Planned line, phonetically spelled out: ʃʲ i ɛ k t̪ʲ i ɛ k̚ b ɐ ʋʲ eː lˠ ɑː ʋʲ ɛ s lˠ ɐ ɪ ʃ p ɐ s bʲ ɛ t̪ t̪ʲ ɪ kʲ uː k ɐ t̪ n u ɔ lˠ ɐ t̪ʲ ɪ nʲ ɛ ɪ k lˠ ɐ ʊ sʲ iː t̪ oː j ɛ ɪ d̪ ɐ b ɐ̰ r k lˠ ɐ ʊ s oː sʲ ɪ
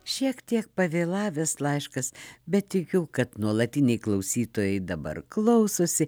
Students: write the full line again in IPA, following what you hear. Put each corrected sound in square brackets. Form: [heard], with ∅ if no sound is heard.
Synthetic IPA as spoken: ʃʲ i ɛ k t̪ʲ i ɛ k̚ [p] ɐ ʋʲ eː lˠ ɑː ʋʲ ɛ s lˠ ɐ ɪ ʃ [k] ɐ s bʲ ɛ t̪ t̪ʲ ɪ kʲ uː k ɐ t̪ n u ɔ lˠ ɐ t̪ʲ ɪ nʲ ɛ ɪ k lˠ ɐ ʊ sʲ iː t̪ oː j ɛ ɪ d̪ ɐ b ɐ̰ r k lˠ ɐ ʊ s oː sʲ ɪ